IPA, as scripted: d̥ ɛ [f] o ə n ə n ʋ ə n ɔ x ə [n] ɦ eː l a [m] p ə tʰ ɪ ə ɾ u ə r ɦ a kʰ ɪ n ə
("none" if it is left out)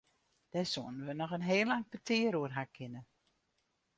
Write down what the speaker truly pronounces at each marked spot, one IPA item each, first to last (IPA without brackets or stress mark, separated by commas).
s, n, ŋ